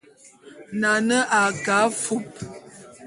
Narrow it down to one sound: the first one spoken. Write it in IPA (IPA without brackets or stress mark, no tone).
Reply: n